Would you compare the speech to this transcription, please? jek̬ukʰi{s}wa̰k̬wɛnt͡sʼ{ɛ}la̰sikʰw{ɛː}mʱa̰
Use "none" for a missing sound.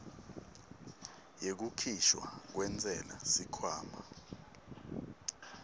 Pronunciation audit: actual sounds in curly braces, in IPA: ʃ, ɛ, aː

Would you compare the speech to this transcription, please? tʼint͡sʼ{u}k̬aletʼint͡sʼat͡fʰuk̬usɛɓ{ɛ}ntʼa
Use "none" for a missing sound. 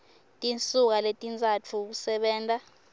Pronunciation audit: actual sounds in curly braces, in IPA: u, ɛː

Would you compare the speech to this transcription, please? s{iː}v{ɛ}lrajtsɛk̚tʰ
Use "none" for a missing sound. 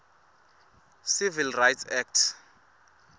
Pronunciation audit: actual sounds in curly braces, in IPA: i, i

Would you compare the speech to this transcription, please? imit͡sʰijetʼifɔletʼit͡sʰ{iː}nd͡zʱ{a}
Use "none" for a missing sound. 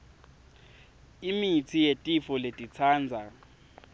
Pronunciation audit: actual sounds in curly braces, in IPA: aː, a

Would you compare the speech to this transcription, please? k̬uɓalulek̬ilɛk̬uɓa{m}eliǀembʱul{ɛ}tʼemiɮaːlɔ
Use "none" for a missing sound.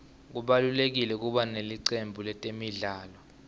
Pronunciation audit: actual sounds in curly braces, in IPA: n, ɛ

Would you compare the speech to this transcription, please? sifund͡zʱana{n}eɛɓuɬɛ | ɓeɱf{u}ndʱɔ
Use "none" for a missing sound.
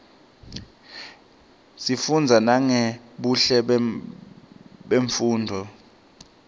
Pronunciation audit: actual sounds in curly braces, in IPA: ŋ, uː

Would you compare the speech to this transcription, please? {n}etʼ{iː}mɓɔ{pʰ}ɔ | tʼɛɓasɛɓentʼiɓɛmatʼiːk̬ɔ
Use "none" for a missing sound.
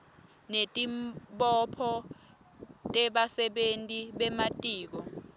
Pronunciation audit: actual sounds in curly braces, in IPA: n, i, pʰ

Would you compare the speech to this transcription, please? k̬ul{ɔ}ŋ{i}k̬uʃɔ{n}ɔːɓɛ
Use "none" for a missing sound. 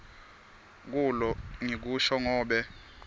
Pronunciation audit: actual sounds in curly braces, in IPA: ɔ, i, ŋ

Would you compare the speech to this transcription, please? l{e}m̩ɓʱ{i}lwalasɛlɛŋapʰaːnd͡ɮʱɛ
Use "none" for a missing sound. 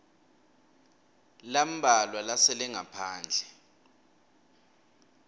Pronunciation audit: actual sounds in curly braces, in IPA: a, a

